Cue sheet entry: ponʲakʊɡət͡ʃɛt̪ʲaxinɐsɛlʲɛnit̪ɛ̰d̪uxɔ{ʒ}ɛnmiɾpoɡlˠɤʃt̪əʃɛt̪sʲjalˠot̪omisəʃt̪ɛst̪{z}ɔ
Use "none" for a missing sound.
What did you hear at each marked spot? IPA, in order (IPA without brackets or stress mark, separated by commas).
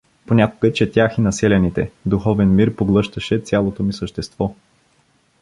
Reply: v, v